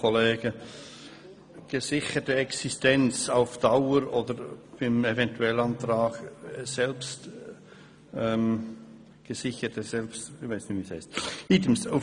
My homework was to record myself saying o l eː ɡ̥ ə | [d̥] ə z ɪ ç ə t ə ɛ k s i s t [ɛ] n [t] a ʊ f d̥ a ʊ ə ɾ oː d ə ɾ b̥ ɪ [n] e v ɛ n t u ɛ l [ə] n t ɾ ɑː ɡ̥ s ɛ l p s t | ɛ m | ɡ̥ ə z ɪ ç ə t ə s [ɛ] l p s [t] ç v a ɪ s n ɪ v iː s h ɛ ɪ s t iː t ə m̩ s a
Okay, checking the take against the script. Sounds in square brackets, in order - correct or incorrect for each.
incorrect, correct, incorrect, incorrect, incorrect, correct, correct

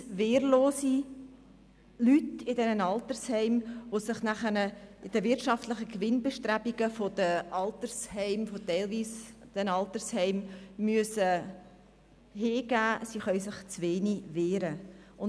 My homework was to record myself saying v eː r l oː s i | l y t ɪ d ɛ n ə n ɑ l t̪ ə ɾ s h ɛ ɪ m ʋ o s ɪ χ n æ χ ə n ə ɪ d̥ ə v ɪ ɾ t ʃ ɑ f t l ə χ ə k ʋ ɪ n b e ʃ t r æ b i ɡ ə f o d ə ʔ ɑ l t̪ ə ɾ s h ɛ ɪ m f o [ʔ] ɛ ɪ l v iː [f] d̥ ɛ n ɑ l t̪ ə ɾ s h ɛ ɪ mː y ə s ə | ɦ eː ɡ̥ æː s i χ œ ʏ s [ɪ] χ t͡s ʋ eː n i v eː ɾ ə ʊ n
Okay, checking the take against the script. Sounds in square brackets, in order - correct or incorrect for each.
incorrect, incorrect, correct

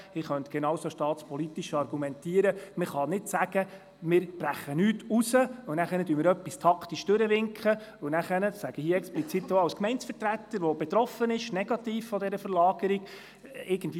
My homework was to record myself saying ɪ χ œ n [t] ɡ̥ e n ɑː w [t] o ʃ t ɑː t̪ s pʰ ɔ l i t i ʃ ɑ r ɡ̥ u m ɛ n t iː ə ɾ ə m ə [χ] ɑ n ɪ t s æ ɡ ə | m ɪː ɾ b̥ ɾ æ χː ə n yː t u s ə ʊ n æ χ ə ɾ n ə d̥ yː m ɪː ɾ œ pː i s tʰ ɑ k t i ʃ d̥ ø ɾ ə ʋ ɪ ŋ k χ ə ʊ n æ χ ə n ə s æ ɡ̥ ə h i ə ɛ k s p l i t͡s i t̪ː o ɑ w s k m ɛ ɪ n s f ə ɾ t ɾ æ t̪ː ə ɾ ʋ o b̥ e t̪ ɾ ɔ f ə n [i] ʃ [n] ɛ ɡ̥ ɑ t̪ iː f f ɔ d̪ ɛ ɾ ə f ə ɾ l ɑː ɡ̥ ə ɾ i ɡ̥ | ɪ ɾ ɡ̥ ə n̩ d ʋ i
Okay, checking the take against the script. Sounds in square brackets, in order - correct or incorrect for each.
correct, incorrect, correct, incorrect, correct

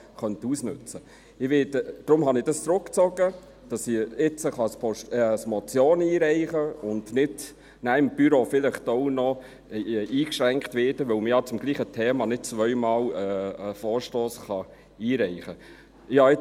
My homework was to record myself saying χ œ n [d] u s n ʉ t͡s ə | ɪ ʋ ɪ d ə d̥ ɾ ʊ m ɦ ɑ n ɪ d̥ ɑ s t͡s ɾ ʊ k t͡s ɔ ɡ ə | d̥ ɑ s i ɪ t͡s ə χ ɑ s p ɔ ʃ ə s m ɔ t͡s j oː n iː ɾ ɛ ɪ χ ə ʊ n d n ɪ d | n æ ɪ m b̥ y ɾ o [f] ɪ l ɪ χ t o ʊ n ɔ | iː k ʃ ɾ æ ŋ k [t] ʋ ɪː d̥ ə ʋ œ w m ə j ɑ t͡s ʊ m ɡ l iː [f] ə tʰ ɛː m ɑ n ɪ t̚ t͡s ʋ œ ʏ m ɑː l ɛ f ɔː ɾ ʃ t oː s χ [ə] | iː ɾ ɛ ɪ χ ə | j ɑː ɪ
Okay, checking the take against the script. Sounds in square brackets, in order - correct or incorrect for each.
incorrect, correct, correct, incorrect, incorrect

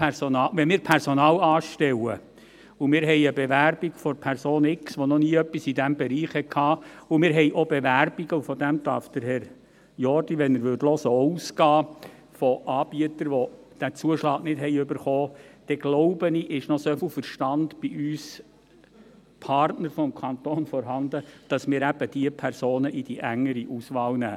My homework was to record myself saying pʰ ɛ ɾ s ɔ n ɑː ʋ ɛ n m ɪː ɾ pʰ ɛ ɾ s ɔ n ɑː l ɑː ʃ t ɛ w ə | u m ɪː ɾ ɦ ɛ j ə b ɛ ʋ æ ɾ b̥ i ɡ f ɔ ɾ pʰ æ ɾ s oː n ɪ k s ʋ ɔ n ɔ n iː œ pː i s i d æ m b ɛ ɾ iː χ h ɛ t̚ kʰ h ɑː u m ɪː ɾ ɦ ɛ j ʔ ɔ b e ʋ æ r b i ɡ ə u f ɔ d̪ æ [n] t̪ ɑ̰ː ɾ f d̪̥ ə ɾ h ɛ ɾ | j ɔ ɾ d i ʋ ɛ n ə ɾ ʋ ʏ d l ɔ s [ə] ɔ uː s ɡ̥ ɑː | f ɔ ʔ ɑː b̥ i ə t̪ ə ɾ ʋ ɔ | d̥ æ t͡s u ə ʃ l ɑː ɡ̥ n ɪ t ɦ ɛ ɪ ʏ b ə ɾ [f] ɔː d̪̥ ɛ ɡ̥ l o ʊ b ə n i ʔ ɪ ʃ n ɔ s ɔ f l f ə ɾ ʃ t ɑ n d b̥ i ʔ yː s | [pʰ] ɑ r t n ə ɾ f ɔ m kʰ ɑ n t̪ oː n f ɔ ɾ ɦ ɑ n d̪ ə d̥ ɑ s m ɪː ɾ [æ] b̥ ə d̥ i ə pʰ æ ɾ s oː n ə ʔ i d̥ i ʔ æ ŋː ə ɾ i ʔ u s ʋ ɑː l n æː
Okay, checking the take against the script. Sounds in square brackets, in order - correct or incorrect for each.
incorrect, correct, incorrect, correct, correct

